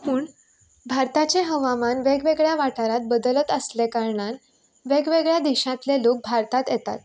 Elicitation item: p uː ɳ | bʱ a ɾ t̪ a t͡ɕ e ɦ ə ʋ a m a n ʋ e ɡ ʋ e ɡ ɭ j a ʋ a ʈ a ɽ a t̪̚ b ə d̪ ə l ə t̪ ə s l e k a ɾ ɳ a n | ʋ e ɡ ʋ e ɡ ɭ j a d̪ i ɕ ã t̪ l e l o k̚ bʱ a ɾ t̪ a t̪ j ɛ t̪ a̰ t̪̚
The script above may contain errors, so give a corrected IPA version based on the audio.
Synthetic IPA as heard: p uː ɳ | bʱ a ɾ t̪ a t͡ɕ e ɦ ə ʋ a m a n ʋ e ɡ ʋ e ɡ ɭ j a ʋ a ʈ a ɾ a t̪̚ b ə d̪ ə l ə t̪ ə s l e k a ɾ ɳ a n | ʋ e ɡ ʋ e ɡ ɭ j a d̪ i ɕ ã t̪ l e l o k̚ bʱ a ɾ t̪ a t̪ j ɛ t̪ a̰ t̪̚